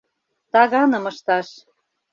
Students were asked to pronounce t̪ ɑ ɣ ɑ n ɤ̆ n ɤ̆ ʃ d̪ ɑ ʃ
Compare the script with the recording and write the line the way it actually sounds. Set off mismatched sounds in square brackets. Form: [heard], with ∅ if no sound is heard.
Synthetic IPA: t̪ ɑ ɣ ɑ n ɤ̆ [m] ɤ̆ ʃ [t̪] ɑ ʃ